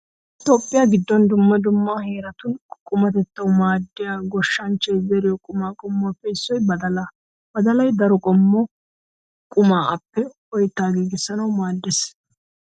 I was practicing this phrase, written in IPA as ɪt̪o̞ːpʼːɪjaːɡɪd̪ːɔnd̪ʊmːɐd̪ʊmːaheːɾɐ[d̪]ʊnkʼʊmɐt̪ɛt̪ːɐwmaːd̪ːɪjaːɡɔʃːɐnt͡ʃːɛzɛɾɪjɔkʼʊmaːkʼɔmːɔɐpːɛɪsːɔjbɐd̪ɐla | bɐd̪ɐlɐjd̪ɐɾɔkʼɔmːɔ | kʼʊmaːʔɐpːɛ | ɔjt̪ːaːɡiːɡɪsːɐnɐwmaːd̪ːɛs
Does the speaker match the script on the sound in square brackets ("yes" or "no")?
no